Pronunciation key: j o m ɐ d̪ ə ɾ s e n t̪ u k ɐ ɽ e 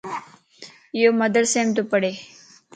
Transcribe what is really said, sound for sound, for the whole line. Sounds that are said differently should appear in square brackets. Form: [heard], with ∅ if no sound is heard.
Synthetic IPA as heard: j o m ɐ d̪ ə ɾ s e [m] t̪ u [p] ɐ ɽ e